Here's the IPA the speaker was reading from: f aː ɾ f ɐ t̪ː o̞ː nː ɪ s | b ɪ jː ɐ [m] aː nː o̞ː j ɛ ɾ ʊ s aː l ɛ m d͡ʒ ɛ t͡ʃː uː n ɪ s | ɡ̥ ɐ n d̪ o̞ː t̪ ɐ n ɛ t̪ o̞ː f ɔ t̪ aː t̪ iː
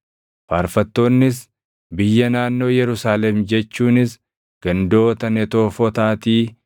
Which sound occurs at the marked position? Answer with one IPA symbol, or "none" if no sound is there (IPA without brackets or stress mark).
n